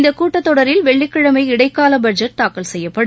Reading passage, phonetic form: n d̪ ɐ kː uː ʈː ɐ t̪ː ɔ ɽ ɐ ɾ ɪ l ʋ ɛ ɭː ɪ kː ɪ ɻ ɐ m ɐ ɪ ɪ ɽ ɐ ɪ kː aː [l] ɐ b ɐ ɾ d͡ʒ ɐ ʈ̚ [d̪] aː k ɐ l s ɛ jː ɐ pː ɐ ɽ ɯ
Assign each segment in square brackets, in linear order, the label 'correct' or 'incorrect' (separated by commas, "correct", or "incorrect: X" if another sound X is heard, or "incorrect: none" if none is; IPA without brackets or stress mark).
correct, incorrect: t̪